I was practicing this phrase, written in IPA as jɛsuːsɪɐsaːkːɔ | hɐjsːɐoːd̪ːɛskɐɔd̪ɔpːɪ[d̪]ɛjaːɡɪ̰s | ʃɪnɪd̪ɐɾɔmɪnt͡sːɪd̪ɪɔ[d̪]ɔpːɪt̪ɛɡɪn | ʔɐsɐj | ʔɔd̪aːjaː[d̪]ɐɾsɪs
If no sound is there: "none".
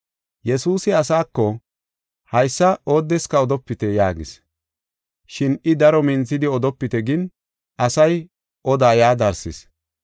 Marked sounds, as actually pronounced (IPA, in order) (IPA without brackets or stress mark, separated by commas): t̪, d̪, d̪